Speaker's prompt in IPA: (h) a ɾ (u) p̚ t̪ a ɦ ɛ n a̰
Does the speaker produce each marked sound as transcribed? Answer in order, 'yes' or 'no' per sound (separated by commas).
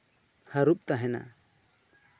yes, yes